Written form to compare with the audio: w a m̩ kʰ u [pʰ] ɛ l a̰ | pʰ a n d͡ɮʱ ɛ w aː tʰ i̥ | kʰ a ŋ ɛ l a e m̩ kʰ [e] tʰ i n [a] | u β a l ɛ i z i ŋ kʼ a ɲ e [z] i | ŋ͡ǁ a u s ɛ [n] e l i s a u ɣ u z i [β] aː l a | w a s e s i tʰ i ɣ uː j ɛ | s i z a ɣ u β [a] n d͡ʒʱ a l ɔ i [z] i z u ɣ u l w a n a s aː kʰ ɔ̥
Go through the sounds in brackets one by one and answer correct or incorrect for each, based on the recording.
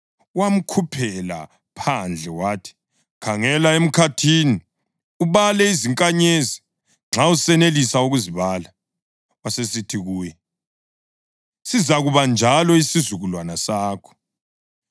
correct, incorrect: a, incorrect: i, correct, correct, correct, correct, incorrect: s

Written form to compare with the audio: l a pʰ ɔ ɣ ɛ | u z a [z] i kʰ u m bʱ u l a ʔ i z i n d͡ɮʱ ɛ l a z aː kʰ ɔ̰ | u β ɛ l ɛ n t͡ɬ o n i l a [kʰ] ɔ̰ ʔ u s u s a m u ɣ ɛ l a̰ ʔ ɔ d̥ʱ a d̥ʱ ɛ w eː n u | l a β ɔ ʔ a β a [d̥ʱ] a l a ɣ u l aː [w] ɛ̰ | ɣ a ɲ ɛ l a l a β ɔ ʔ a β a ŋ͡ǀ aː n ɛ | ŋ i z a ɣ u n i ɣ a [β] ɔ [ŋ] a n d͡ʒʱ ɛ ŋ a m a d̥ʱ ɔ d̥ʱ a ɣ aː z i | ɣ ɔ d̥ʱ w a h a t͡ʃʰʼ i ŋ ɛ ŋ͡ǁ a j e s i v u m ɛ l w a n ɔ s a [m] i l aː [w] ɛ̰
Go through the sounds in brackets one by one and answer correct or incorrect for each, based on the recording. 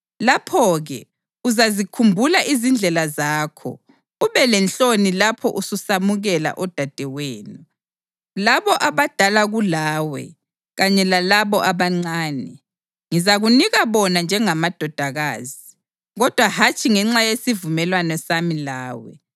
correct, incorrect: pʰ, correct, correct, correct, incorrect: n, correct, correct

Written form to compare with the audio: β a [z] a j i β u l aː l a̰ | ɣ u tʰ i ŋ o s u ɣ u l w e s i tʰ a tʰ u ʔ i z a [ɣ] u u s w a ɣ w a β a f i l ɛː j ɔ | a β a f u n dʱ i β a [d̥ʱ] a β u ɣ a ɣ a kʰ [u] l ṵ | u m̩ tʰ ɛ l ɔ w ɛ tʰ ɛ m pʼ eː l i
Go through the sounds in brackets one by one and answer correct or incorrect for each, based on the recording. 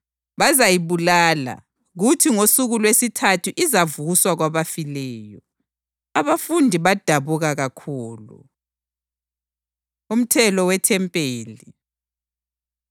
correct, incorrect: v, correct, incorrect: uː

